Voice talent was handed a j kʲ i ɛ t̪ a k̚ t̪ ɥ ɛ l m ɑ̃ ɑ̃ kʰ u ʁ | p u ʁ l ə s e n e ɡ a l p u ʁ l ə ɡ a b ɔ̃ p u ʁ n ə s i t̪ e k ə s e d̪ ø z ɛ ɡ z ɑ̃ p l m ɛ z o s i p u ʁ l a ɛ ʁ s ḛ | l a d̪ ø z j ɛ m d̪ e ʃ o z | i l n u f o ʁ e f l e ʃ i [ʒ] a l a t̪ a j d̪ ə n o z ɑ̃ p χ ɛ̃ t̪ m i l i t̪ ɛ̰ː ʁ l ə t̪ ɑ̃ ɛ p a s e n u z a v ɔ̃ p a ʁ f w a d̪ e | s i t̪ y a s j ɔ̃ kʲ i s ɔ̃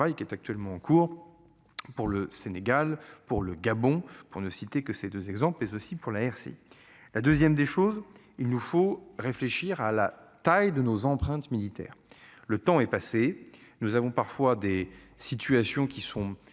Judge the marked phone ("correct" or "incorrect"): incorrect